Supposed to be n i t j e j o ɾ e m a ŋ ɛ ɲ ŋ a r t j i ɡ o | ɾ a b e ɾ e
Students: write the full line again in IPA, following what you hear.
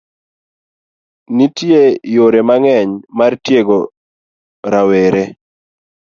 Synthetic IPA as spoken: n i t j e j o ɾ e m a ŋ ɛ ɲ m a r t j e ɡ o | ɾ a w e ɾ e